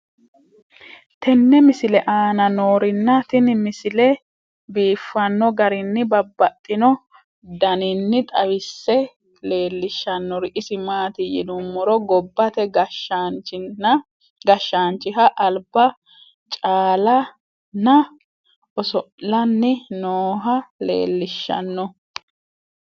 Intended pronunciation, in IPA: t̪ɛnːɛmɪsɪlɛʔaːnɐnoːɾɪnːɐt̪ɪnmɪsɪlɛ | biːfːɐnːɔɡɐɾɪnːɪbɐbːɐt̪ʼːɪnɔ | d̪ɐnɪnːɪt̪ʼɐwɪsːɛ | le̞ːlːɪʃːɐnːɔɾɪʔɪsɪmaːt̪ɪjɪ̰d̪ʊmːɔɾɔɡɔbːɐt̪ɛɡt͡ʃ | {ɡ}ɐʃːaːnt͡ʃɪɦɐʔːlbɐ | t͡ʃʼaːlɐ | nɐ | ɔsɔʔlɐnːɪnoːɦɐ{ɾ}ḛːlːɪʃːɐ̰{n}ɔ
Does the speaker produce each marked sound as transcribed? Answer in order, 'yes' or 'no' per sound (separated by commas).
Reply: yes, no, no